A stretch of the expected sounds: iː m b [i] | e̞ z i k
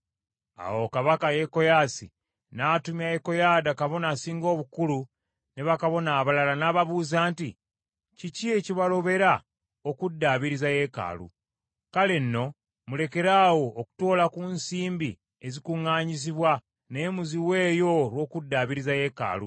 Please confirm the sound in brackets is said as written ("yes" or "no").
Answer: yes